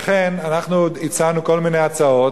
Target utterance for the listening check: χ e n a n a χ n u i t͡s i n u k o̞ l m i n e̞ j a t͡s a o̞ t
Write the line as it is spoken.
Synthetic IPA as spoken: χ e n a n a χ n u i t͡s a n u k o̞ l m i n e̞ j a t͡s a o̞ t